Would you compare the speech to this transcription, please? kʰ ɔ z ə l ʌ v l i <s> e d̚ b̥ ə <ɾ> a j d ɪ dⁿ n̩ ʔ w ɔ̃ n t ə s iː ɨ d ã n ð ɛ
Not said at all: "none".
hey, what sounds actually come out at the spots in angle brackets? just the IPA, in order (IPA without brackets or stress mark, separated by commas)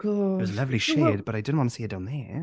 ʃ, ɾ